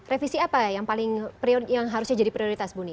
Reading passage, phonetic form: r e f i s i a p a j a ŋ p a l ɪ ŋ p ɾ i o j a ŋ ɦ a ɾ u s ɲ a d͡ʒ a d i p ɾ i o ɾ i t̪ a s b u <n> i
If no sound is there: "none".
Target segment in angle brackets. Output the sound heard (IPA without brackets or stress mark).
n